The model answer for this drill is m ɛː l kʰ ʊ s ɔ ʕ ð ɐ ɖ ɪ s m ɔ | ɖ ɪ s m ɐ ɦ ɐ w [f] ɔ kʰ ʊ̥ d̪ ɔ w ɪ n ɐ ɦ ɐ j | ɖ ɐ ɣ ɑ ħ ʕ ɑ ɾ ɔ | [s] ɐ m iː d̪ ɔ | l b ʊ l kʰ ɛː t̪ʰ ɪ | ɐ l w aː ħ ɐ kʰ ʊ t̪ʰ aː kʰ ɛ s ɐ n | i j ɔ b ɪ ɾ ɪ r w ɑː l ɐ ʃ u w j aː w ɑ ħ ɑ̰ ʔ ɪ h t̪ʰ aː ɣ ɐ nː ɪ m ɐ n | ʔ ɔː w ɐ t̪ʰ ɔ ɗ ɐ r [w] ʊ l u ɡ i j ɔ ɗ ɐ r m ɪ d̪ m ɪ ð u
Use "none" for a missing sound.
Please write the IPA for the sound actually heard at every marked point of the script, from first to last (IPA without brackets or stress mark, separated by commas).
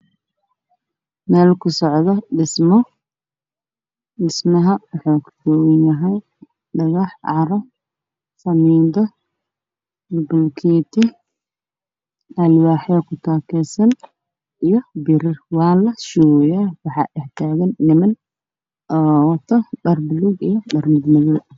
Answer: ħ, s, b